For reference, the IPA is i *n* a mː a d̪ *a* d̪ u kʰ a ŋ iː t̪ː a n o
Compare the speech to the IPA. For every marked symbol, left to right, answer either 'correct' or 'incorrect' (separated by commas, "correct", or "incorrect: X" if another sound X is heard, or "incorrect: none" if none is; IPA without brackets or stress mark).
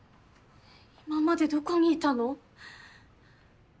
incorrect: m, incorrect: e